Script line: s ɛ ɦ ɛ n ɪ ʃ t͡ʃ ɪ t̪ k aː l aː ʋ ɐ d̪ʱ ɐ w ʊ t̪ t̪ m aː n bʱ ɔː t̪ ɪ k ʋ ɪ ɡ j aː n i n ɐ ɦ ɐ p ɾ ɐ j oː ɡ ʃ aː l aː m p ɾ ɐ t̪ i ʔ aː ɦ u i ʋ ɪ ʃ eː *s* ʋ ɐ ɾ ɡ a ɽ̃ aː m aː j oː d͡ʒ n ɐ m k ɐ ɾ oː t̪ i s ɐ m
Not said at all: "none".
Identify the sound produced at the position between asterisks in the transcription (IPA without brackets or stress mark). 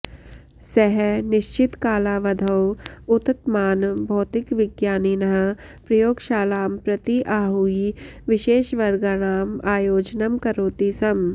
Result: ʃ